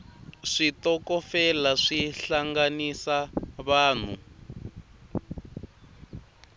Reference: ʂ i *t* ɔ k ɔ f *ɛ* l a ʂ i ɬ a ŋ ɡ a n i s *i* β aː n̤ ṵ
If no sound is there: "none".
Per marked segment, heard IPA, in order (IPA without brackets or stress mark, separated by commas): t, ɛ, a